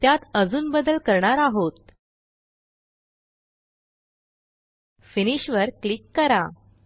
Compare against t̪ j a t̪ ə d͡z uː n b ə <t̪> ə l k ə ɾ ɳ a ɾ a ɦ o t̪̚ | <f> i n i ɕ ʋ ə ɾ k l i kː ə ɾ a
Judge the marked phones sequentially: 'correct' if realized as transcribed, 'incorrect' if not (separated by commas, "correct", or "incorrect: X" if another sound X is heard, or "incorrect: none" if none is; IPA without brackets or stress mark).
incorrect: d̪, correct